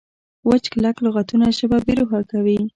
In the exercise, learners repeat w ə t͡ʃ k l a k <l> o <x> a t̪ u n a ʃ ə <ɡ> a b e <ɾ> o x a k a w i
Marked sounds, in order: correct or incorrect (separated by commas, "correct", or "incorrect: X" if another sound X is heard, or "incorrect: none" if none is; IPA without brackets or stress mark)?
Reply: correct, incorrect: ɣ, incorrect: b, correct